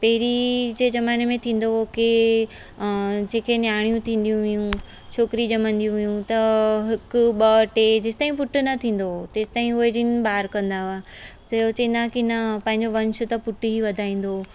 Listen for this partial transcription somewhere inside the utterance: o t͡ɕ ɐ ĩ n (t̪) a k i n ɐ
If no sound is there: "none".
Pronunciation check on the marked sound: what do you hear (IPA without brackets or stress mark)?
d̪